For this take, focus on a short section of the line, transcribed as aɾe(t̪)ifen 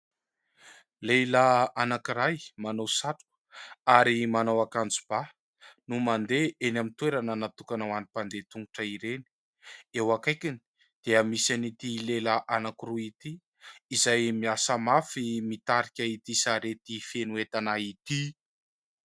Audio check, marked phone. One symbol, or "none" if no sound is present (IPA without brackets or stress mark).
t̪